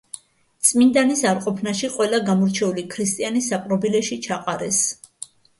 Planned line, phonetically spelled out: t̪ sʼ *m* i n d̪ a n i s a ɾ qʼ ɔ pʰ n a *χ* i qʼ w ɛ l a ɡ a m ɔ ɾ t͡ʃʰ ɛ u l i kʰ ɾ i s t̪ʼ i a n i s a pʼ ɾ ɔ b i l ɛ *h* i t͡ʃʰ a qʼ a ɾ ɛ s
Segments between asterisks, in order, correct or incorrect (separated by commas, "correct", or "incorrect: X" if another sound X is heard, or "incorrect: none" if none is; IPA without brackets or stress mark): correct, incorrect: ʃ, incorrect: ʃ